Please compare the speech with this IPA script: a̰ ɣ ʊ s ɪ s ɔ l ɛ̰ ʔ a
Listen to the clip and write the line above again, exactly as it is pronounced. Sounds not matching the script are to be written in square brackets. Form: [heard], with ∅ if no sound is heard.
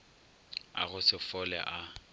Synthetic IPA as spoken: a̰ ɣ ʊ s ɪ [f] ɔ l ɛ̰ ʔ a